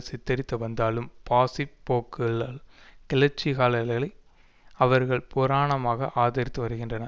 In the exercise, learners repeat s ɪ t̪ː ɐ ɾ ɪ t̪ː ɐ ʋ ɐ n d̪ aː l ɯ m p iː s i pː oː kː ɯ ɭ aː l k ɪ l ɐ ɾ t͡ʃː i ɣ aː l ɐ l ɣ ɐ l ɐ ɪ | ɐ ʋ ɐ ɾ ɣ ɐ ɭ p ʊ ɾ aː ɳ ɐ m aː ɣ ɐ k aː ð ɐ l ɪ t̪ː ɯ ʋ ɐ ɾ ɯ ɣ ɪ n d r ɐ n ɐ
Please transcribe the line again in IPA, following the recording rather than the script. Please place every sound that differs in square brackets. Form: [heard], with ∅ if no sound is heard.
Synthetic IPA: s ɪ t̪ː ɐ ɾ ɪ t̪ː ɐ ʋ ɐ n d̪ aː l ɯ m p [aː] s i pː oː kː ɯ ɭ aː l k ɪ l ɐ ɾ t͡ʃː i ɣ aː l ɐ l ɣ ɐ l ɐ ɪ | ɐ ʋ ɐ ɾ ɣ ɐ ɭ p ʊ ɾ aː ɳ ɐ m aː ɣ ɐ [ʔ] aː ð ɐ [ɾ] ɪ t̪ː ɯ ʋ ɐ ɾ ɯ ɣ ɪ n d r ɐ n ɐ